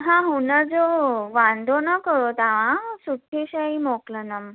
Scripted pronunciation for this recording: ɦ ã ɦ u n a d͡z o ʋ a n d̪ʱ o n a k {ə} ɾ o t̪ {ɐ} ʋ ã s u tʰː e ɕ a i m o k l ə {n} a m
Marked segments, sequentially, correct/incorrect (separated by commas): correct, incorrect, correct